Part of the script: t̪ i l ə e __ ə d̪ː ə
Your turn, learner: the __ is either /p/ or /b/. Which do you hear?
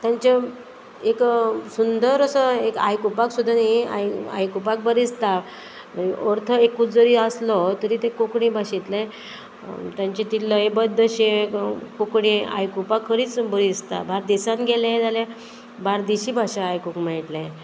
b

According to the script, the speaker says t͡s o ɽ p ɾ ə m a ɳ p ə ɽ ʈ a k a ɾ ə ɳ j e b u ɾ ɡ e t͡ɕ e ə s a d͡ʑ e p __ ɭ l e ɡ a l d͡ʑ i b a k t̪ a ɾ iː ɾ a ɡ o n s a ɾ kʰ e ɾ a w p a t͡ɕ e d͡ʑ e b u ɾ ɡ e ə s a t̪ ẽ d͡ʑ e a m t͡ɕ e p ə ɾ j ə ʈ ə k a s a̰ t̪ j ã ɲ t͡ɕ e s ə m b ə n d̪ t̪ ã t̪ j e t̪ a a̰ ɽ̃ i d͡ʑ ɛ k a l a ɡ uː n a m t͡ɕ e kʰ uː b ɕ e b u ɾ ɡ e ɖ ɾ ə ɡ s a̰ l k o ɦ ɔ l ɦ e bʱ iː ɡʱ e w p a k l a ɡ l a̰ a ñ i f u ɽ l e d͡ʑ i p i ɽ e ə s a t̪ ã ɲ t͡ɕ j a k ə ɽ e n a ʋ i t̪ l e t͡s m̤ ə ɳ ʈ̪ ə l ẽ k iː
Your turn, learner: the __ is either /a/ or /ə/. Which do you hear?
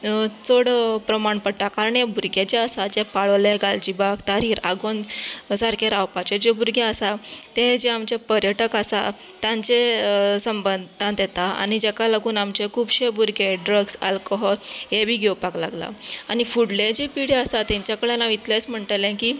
a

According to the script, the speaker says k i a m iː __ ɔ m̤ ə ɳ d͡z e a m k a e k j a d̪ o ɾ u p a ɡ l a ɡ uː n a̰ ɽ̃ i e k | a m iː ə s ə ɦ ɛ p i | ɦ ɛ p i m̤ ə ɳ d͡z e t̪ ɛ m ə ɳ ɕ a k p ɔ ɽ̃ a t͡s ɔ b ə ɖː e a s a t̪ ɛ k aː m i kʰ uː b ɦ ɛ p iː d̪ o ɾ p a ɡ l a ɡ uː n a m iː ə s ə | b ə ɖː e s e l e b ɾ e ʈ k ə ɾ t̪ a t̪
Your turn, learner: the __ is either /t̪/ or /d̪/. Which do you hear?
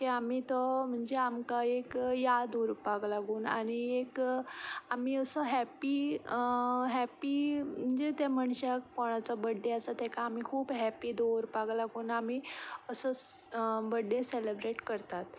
t̪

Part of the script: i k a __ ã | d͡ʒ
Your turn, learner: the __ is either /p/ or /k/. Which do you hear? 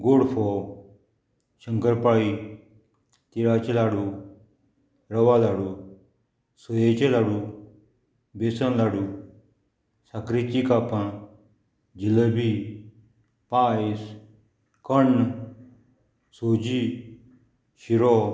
p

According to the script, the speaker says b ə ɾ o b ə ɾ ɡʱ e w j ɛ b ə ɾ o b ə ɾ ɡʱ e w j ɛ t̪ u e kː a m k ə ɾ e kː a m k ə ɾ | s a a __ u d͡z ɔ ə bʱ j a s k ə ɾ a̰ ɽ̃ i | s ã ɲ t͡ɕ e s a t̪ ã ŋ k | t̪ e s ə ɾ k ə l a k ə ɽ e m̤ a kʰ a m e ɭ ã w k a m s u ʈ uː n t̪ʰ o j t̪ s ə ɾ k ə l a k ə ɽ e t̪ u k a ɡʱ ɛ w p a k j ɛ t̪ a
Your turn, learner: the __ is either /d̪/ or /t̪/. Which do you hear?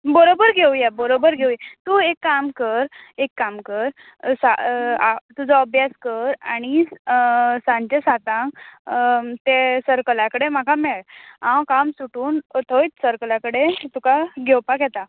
t̪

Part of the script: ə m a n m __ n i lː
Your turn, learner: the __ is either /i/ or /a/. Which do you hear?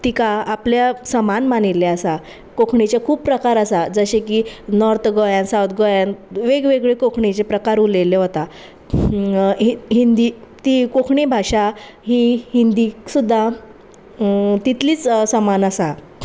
a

